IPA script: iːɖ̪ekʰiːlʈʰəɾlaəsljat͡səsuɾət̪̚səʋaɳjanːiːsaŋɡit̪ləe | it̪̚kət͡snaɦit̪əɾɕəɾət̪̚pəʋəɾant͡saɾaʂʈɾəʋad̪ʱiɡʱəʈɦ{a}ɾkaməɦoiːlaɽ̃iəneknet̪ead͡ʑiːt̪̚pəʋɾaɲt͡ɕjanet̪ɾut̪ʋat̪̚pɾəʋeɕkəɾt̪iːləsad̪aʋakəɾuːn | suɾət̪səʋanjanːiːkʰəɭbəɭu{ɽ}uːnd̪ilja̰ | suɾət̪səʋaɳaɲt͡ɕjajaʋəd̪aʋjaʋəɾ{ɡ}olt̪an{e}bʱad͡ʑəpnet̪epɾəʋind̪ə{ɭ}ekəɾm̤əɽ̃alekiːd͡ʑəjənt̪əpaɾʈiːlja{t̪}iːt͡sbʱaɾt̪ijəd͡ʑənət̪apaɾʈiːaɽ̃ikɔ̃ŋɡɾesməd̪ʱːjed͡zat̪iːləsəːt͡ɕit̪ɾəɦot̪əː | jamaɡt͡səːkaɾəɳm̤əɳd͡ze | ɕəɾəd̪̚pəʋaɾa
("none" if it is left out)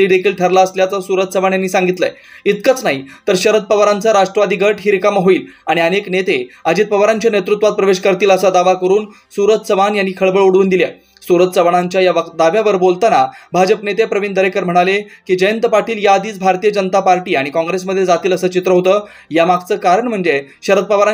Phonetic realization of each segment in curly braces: i, ɽ, b, a, ɾ, d̪

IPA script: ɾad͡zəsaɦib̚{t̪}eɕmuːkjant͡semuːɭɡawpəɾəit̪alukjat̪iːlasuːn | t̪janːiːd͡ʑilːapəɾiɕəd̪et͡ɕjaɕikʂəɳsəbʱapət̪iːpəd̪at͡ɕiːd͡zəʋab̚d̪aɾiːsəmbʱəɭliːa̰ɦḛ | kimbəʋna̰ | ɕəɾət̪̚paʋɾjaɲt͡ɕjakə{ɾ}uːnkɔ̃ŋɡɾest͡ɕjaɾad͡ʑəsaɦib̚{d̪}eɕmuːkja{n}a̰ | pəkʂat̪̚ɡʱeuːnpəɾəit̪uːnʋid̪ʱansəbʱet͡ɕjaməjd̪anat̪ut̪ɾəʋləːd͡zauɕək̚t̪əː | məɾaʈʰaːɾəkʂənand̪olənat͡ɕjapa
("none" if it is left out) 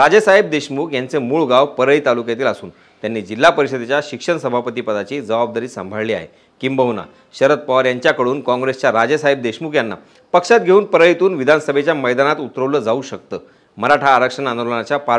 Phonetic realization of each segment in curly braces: d̪, ɽ, d̪, nː

